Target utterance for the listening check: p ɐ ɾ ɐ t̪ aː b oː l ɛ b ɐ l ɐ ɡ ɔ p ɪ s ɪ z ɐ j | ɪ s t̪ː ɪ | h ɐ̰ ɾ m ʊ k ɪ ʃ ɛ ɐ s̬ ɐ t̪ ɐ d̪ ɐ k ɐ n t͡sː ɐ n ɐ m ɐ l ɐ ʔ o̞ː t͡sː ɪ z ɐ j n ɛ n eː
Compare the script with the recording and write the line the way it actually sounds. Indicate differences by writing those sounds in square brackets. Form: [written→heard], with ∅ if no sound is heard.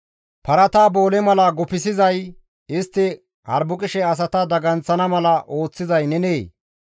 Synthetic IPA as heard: p ɐ ɾ ɐ t̪ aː b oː l ɛ [b→m] ɐ l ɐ ɡ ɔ p ɪ s ɪ z ɐ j | ɪ s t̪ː ɪ | h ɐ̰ ɾ [m→b] ʊ [k→kʼ] ɪ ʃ ɛ ɐ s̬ ɐ t̪ ɐ d̪ ɐ [k→ɡ] ɐ n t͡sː ɐ n ɐ m ɐ l ɐ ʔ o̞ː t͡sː ɪ z ɐ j n ɛ n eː